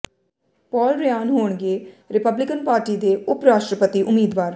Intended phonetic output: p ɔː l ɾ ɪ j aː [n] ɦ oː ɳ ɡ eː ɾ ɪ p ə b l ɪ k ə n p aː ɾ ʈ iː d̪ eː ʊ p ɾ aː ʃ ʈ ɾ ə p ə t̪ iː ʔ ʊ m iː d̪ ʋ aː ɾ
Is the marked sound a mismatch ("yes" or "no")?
no